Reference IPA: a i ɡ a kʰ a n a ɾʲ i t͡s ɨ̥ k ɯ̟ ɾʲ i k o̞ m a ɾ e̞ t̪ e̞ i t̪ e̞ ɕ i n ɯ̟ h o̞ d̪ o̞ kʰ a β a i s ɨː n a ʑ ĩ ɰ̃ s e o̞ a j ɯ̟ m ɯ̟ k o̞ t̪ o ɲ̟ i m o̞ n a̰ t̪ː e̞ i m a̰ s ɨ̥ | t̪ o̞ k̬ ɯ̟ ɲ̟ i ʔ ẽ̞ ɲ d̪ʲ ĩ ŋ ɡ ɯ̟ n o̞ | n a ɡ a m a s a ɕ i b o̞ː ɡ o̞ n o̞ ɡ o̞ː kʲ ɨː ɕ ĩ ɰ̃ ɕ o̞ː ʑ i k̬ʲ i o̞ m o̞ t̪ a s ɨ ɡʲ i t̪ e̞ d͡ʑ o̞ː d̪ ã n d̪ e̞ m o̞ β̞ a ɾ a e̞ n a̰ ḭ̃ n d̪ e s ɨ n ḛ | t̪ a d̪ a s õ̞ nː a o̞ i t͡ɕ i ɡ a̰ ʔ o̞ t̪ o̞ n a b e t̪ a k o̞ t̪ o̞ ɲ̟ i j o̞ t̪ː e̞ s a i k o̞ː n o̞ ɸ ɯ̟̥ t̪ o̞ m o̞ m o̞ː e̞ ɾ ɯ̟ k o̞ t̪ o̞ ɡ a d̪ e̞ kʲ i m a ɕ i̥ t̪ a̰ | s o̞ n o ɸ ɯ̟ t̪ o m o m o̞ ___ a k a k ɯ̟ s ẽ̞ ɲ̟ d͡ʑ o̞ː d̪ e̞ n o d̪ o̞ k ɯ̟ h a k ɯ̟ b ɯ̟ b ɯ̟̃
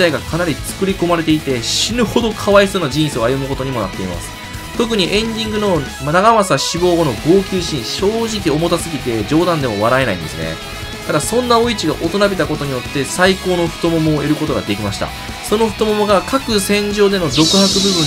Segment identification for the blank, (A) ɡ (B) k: A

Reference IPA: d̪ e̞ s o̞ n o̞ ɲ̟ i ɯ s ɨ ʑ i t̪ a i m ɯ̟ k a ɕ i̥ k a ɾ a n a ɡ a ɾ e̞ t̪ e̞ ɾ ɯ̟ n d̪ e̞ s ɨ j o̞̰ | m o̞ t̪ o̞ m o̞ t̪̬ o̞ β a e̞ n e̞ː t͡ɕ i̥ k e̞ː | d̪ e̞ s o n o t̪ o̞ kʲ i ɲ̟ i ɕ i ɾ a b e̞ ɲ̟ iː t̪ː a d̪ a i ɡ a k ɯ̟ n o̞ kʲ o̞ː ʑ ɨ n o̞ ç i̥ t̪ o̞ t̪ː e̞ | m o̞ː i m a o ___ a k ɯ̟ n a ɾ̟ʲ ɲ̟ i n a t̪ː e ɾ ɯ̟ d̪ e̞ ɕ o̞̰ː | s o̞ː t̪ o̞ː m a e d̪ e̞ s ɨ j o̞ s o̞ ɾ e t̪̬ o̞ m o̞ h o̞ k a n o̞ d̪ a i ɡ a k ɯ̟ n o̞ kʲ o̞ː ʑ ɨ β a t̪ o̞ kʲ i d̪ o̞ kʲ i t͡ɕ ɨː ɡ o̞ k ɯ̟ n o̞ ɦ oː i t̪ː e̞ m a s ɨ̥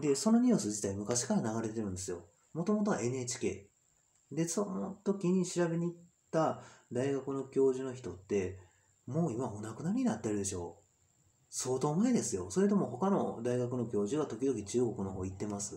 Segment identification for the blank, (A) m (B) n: B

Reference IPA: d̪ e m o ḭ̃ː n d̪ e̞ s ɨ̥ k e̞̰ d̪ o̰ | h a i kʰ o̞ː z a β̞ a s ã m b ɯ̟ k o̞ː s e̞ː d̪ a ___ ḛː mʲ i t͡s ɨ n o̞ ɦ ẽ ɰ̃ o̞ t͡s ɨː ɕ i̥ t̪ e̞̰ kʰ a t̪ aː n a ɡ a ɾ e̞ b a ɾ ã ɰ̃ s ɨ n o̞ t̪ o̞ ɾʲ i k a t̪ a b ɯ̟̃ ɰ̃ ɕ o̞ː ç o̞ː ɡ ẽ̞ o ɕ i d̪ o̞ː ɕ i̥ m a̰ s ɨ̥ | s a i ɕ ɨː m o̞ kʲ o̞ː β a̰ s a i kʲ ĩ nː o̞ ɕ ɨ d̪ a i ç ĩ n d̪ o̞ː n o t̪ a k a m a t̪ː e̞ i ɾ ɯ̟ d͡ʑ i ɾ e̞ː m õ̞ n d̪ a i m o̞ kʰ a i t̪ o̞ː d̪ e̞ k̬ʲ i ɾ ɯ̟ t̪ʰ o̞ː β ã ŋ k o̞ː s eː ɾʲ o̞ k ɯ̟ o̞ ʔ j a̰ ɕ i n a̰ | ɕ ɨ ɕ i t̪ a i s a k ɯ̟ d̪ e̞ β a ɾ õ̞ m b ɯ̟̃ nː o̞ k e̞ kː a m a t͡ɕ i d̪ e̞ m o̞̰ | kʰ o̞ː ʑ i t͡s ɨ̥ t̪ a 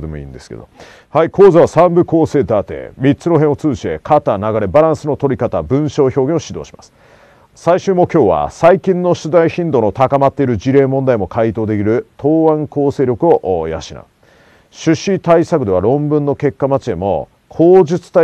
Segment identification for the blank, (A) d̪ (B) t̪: B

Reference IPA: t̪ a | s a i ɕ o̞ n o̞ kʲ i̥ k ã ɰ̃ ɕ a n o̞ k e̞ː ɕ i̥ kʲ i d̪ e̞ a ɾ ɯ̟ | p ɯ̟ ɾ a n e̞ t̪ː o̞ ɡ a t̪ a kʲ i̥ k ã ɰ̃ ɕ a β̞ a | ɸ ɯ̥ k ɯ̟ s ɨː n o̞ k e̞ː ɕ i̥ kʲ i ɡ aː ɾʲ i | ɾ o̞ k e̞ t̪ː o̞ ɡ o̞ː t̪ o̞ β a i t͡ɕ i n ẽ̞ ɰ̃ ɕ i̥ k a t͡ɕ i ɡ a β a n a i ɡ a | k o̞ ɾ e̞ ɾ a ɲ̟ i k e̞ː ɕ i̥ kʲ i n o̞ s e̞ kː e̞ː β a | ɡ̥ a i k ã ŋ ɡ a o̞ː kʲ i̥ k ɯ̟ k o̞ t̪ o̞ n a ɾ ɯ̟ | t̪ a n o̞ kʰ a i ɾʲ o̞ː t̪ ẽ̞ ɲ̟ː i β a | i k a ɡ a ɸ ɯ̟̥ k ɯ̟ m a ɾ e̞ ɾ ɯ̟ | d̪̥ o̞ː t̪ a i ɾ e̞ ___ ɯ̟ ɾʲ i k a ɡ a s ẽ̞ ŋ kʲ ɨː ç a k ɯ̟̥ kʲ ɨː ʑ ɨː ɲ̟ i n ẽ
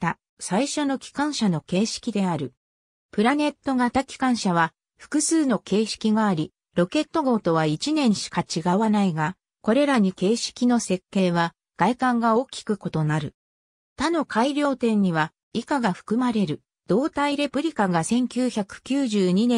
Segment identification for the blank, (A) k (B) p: B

